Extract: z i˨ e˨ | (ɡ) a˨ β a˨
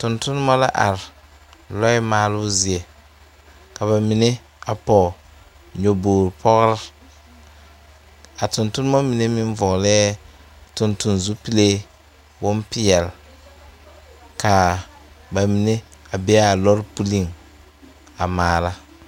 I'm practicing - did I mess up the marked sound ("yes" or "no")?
yes